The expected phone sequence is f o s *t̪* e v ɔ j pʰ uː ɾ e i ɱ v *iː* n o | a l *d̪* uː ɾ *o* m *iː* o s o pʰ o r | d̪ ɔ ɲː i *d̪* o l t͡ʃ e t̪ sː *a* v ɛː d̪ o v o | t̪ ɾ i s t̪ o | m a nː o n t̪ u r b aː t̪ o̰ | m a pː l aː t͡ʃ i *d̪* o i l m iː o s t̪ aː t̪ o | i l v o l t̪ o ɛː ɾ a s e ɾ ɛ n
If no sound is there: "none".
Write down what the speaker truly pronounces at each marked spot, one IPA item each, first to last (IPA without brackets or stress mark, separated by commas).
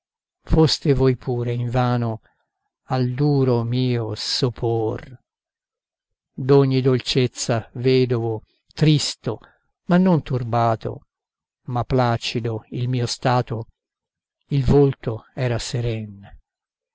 t̪, aː, d̪, o, iː, d̪, a, d̪